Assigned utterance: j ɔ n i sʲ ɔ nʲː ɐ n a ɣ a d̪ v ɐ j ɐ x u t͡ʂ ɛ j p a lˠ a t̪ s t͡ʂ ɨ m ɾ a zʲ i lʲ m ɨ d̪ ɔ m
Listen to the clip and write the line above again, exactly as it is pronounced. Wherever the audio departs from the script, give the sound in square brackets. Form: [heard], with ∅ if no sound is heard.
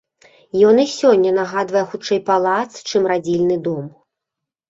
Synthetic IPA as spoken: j ɔ n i sʲ ɔ nʲː ɐ n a ɣ a d̪ v ɐ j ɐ x u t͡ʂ ɛ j p a lˠ a t̪ s t͡ʂ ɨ m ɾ a [d͡zʲ] i lʲ [n] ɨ d̪ ɔ m